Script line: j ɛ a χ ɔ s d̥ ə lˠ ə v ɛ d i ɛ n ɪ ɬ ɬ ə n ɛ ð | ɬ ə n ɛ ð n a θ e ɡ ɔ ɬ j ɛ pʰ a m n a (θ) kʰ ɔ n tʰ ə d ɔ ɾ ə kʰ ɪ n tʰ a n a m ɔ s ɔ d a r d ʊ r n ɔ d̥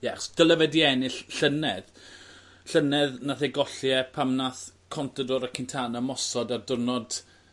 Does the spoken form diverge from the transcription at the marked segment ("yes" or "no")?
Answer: no